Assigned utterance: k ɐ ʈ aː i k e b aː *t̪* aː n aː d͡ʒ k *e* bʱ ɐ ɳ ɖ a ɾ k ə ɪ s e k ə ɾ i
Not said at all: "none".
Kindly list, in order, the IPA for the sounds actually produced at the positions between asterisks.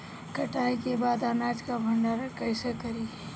d̪, a

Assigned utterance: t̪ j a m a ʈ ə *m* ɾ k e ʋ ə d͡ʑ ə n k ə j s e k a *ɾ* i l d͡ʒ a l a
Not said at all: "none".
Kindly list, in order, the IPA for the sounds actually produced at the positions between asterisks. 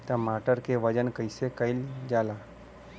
none, none

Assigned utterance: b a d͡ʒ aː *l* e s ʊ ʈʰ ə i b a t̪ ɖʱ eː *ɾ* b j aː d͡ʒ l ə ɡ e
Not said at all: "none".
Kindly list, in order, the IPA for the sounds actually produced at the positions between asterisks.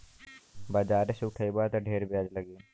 ɾ, ɾ

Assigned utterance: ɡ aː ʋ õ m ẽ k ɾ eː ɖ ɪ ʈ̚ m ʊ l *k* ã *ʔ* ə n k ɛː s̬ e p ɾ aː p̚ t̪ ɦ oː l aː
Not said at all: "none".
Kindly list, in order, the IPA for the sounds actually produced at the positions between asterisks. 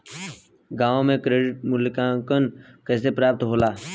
k, k

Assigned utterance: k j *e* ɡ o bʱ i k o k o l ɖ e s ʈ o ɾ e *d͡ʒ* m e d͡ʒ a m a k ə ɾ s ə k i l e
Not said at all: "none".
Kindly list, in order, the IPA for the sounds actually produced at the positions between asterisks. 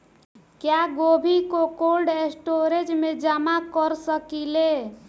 a, d͡ʒ

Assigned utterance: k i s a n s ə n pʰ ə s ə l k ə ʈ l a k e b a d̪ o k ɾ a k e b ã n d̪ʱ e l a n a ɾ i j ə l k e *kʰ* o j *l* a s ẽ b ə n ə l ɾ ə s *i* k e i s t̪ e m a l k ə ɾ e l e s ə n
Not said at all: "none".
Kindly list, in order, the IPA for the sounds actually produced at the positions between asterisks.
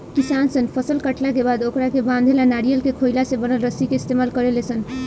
kʰ, l, i

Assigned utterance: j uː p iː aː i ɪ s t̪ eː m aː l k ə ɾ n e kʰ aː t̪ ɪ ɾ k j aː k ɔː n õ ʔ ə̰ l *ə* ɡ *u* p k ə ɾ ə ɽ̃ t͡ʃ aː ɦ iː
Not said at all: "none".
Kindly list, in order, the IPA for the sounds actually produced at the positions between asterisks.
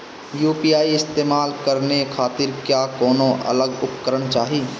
ə, ʊ

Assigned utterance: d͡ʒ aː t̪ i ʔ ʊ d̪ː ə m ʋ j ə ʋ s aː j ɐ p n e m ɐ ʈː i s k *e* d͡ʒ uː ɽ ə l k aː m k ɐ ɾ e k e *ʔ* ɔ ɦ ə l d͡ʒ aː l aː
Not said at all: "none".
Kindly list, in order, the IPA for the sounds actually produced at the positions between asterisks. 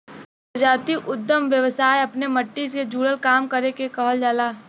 e, k

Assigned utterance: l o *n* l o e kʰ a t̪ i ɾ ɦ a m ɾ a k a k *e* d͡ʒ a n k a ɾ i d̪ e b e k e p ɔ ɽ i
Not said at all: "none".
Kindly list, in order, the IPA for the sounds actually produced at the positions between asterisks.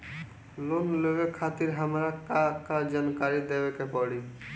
n, a

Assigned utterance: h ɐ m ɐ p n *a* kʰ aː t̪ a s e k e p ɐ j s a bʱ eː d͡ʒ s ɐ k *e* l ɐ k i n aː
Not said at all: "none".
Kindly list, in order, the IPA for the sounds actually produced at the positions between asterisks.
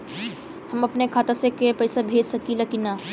e, i

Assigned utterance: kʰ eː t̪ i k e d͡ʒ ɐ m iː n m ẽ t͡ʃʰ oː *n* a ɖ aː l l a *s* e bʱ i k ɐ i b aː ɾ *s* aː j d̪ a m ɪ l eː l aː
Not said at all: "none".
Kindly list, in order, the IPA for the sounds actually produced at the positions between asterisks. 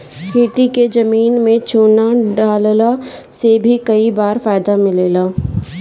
n, s, f

